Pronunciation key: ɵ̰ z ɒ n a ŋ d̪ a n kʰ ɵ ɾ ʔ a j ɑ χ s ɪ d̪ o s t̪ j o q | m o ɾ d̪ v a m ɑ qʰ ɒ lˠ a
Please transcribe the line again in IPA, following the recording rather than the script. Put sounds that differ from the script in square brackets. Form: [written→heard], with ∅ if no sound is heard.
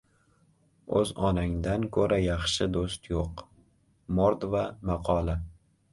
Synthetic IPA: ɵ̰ z ɒ n a ŋ d̪ a n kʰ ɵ ɾ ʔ a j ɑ χ [s→ʃ] ɪ d̪ o s t̪ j o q | m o ɾ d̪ v a m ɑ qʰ ɒ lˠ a